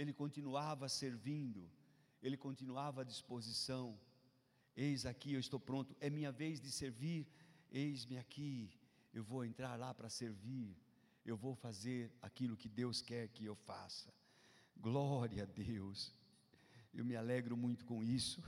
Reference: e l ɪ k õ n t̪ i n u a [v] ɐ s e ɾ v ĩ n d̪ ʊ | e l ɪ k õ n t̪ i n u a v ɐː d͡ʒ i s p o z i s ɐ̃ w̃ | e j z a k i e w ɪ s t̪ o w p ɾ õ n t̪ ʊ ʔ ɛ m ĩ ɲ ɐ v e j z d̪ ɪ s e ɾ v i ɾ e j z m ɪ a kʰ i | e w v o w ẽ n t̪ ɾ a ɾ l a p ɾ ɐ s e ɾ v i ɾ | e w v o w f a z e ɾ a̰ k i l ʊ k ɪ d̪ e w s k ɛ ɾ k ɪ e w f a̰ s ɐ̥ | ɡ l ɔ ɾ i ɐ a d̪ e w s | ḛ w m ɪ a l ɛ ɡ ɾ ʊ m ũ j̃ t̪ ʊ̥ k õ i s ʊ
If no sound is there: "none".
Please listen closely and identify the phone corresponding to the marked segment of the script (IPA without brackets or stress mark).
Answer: v